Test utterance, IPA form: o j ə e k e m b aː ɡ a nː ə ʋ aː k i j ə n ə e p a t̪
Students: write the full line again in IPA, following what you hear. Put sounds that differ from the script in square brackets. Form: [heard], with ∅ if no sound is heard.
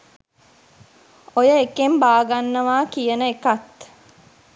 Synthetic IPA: o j ə e k e m b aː ɡ a nː ə ʋ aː k i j ə n ə e [k] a t̪